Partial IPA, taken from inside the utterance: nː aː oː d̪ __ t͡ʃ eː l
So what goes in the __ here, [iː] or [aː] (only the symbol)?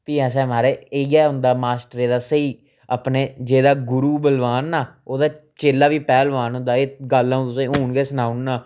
aː